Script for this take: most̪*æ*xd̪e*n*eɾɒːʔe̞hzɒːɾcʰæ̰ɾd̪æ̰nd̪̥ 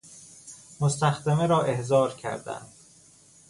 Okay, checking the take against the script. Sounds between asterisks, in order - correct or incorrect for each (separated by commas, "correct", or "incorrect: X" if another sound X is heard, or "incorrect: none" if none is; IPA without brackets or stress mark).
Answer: correct, incorrect: m